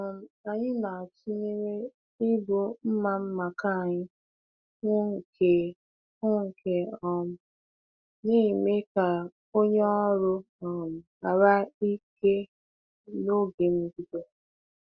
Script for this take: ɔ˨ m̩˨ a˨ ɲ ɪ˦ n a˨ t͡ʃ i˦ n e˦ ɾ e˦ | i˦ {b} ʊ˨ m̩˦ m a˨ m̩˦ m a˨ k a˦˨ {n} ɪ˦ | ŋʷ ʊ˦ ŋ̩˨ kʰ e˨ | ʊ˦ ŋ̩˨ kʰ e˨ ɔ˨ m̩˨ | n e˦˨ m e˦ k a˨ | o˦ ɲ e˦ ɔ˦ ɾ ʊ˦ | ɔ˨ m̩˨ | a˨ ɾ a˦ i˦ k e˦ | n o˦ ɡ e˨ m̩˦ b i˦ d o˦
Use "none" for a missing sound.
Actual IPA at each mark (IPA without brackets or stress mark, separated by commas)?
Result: b, ɲ